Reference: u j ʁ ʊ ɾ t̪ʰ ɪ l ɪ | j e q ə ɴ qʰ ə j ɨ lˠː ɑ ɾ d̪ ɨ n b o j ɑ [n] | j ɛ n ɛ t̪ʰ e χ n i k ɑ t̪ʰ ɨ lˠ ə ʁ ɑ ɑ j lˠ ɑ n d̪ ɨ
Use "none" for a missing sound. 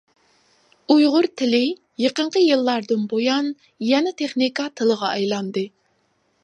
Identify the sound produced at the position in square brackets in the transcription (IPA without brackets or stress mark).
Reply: n